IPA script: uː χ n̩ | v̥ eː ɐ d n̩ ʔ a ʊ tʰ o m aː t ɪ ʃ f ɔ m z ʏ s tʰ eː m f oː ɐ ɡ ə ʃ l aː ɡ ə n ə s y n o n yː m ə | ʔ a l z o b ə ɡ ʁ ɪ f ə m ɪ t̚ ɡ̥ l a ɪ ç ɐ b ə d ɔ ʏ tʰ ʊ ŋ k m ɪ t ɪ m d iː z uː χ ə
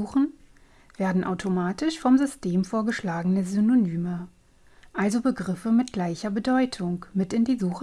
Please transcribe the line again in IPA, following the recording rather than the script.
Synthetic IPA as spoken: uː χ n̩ | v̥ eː ɐ d n̩ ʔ a ʊ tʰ o m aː t ɪ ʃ f ɔ m z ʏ s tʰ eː m f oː ɐ ɡ ə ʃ l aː ɡ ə n ə z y n o n yː m ə | ʔ a l z o b ə ɡ ʁ ɪ f ə m ɪ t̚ ɡ̥ l a ɪ ç ɐ b ə d ɔ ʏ tʰ ʊ ŋ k m ɪ t ɪ n d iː z uː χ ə